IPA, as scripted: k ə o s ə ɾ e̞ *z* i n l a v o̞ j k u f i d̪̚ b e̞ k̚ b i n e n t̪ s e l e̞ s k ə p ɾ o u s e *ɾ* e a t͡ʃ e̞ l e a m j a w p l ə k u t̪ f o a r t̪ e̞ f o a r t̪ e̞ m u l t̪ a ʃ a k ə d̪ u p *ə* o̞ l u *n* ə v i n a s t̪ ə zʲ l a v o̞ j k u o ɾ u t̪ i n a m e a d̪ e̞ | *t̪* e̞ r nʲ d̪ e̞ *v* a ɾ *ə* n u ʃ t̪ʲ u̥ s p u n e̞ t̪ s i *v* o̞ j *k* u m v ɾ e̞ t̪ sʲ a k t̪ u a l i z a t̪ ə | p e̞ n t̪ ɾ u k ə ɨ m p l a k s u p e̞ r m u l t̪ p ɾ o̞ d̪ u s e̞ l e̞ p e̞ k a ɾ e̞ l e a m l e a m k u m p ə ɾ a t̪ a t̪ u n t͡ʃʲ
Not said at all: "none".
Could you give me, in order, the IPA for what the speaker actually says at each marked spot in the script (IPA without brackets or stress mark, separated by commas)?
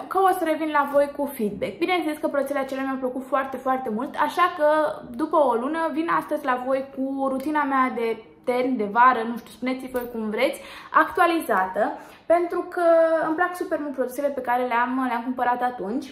v, l, ə, n, t̪, v, ə, v, k